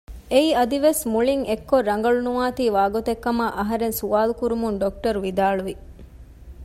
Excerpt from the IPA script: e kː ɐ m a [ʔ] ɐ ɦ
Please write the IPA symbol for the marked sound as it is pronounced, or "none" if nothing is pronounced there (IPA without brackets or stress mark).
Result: ʔ